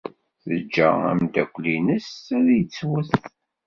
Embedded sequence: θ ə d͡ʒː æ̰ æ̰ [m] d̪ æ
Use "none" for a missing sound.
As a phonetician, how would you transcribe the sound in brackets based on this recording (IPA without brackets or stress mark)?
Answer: m